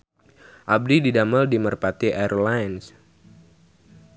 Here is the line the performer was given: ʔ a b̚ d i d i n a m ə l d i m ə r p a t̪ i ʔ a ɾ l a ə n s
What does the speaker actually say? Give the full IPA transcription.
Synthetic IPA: ʔ a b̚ d i d i d a m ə l d i m ə r p a t̪ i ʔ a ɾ l a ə n s